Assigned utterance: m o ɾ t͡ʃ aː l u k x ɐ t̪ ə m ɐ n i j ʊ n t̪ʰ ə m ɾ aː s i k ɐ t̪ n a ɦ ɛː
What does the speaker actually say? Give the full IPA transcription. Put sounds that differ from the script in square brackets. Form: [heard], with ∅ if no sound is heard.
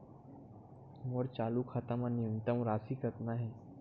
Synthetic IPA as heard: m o ɾ t͡ʃ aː l u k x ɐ t̪ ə m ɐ n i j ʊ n [t̪] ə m ɾ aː s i k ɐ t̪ n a ɦ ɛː